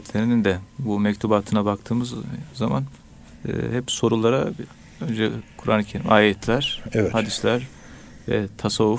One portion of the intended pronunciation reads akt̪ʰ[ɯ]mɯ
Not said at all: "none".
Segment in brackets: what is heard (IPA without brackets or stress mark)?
ɯː